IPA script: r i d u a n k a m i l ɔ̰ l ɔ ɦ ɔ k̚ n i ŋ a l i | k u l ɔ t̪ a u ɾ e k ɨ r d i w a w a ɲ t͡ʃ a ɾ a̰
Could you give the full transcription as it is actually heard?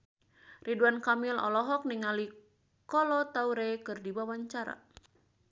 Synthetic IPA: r i d u a n k a m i l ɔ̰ l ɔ ɦ ɔ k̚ n i ŋ a l i | k ɔ l ɔ t̪ a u ɾ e k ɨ r d i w a w a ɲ t͡ʃ a ɾ a̰

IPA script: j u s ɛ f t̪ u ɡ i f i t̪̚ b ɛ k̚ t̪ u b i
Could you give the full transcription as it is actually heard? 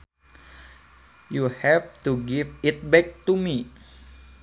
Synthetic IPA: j u h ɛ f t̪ u ɡ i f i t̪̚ b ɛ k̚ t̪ u m i

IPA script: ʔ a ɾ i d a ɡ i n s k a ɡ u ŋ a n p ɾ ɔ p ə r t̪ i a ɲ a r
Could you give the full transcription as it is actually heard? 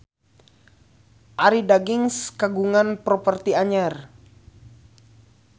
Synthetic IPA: ʔ a ɾ i d a ɡ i ŋ s k a ɡ u ŋ a n p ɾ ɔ p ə r t̪ i a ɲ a r

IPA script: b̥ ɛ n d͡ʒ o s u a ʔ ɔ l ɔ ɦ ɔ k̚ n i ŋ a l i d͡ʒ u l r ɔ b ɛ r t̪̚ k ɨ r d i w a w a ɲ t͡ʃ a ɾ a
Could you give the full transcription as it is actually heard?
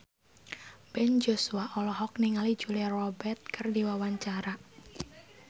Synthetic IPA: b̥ ɛ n d͡ʒ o s u a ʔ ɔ l ɔ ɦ ɔ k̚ n i ŋ a l i d͡ʒ u l r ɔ b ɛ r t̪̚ k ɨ r d i w a w a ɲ t͡ʃ a ɾ a

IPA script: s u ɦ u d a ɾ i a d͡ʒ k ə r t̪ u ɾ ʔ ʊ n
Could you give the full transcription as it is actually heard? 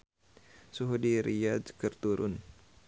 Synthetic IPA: s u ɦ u d i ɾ i a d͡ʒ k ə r t̪ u ɾ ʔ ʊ n

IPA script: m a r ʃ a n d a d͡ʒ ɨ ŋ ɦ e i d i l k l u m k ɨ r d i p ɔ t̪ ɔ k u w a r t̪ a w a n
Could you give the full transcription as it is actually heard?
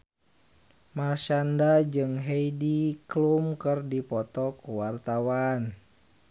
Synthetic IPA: m a r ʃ a n d a d͡ʒ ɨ ŋ ɦ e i d i k l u m k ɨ r d i p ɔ t̪ ɔ k u w a r t̪ a w a n

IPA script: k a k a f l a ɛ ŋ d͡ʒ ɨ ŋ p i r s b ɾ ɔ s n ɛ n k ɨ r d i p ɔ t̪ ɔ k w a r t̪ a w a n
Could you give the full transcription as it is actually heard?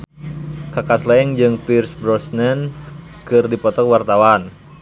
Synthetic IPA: k a k a s l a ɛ ŋ d͡ʒ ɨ ŋ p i r s b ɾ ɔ s n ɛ n k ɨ r d i p ɔ t̪ ɔ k w a r t̪ a w a n

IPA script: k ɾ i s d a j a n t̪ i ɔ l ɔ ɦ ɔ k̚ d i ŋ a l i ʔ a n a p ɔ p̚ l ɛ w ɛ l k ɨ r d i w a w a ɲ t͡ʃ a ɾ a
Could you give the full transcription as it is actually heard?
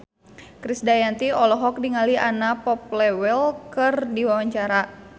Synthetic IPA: k ɾ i s d a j a n t̪ i ɔ l ɔ ɦ ɔ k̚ d i ŋ a l i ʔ a n a p ɔ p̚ l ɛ w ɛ l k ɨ r d i w a w a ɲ t͡ʃ a ɾ a

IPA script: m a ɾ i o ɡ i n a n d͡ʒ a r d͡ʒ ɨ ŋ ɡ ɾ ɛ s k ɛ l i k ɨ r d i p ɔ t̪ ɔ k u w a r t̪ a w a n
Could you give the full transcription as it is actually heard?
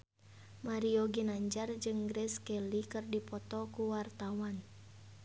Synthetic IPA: m a ɾ i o ɡ i n a ɲ d͡ʒ a r d͡ʒ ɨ ŋ ɡ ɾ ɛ s k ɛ l i k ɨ r d i p ɔ t̪ ɔ k u w a r t̪ a w a n

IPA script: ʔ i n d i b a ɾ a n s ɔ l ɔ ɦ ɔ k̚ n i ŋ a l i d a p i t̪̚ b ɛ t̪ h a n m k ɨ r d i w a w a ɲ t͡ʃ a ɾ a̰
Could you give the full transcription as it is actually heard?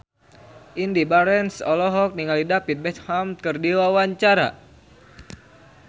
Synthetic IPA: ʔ i n d i b a ɾ ɛ n s ɔ l ɔ ɦ ɔ k̚ n i ŋ a l i d a p i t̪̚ b ɛ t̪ h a m k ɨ r d i w a w a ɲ t͡ʃ a ɾ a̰

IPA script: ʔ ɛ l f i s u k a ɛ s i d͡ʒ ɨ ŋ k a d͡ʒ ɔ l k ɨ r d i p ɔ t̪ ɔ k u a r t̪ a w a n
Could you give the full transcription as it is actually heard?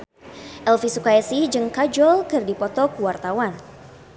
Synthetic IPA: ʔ ɛ l f i s u k a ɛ s i d͡ʒ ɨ ŋ k a d͡ʒ ɔ l k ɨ r d i p ɔ t̪ ɔ k w a r t̪ a w a n

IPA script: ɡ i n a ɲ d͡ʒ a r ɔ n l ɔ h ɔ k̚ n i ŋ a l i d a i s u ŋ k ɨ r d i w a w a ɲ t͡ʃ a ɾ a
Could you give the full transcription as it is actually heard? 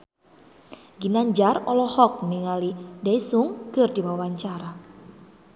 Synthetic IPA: ɡ i n a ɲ d͡ʒ a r ɔ l ɔ h ɔ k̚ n i ŋ a l i d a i s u ŋ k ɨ r d i w a w a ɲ t͡ʃ a ɾ a

